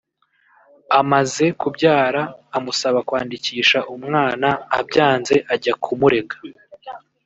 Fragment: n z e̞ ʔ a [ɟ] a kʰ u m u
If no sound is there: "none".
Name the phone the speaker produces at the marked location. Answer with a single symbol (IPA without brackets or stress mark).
ɟ